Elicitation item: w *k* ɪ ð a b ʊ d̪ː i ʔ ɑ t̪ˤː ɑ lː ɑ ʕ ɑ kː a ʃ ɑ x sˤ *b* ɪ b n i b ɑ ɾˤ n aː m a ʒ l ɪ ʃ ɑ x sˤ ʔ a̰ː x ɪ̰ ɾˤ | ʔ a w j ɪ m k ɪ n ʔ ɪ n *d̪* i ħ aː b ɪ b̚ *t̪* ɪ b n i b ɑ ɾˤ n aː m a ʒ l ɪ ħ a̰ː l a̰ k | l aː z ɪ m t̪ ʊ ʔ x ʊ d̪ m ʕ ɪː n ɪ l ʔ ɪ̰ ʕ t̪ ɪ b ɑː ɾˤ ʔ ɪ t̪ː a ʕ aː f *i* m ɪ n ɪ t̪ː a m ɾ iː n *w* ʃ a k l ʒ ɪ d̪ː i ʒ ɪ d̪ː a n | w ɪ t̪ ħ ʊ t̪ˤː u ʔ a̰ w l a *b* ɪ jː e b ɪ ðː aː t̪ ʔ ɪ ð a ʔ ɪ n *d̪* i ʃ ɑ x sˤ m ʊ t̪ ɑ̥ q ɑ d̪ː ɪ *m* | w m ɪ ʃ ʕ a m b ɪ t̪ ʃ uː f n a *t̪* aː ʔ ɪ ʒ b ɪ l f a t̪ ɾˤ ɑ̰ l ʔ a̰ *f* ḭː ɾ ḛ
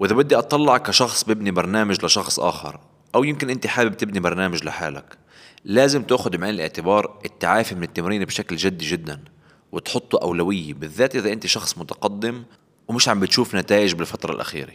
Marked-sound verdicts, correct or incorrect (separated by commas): incorrect, correct, incorrect, correct, correct, incorrect, incorrect, incorrect, correct, correct, incorrect